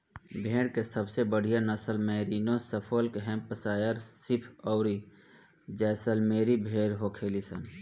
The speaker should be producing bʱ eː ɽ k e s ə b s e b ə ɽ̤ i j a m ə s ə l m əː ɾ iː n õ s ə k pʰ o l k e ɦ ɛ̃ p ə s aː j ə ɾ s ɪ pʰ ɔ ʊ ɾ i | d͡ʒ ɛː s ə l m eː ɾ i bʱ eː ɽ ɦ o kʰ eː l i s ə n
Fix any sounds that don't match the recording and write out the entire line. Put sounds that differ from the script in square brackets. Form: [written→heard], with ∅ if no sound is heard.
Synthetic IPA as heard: bʱ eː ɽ k e s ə b s e b ə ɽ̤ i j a [m→n] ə s ə l m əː ɾ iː n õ s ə [k→∅] pʰ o l k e ɦ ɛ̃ p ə s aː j ə ɾ s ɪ pʰ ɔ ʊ ɾ i | d͡ʒ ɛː s ə l m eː ɾ i bʱ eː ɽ ɦ o kʰ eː l i s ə n